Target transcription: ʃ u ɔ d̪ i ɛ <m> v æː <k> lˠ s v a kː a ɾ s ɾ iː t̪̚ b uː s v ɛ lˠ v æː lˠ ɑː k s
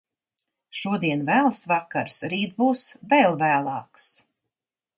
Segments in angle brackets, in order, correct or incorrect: incorrect, incorrect

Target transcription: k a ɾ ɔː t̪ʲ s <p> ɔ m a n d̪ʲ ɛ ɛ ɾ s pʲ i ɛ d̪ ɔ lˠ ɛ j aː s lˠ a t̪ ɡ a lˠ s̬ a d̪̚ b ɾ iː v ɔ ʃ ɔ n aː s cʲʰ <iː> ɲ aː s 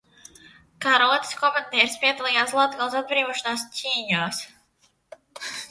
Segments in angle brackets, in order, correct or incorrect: incorrect, correct

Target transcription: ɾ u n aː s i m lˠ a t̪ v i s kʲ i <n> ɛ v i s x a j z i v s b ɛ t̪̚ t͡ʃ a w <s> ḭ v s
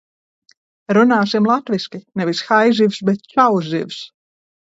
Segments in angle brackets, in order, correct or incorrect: correct, incorrect

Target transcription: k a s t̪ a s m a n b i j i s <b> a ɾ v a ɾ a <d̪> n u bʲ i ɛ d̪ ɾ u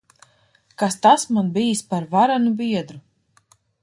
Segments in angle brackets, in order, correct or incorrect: incorrect, incorrect

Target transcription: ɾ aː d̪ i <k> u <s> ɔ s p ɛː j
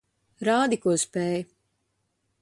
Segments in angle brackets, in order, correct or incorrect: correct, incorrect

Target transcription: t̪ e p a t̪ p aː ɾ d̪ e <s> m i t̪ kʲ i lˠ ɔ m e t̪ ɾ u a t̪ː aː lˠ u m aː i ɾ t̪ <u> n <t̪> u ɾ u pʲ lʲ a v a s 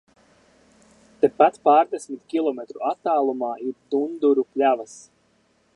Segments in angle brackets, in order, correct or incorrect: correct, correct, incorrect

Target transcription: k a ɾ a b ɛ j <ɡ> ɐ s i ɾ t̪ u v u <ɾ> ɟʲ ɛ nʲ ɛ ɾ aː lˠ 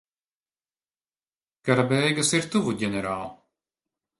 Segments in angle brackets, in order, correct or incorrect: correct, incorrect

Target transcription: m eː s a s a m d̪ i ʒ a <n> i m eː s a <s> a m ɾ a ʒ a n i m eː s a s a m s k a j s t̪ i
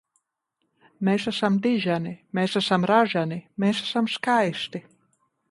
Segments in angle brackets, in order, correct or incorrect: correct, correct

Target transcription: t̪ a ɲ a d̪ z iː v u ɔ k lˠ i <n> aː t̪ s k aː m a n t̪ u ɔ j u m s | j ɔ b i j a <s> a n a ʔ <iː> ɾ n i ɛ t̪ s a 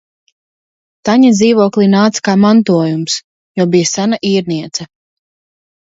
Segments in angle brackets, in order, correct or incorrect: correct, correct, correct

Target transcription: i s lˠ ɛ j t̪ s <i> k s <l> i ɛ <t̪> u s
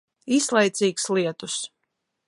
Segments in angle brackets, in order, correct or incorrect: incorrect, correct, correct

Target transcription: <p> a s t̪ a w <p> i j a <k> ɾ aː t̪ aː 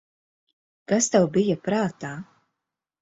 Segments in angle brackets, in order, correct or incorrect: incorrect, incorrect, incorrect

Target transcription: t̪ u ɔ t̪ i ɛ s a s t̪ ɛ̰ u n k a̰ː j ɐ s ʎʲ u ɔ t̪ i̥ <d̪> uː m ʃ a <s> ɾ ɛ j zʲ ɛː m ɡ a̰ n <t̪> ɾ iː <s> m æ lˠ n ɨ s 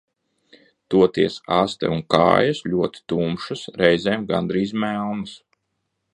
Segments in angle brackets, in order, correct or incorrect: incorrect, correct, incorrect, incorrect

